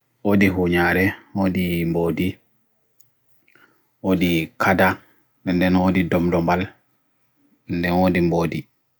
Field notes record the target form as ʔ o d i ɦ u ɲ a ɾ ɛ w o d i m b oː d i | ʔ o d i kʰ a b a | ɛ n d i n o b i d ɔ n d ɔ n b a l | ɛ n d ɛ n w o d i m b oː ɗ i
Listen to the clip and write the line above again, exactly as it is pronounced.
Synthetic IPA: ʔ o d i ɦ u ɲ a ɾ ɛ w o d i m b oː d i | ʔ o d i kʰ a d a | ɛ n d ɛ n o d i d ɔ m d ɔ m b a l | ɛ n d ɛ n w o d i m b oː d i